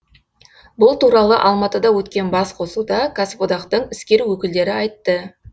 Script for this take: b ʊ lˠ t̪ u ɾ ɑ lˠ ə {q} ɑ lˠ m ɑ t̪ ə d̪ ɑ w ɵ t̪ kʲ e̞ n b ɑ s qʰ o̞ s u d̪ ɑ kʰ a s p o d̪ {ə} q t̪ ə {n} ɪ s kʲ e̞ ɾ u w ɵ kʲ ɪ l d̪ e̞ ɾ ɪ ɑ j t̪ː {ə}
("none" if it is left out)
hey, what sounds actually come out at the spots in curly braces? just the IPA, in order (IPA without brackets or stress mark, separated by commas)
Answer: ʔ, ɑ, ɴ, ə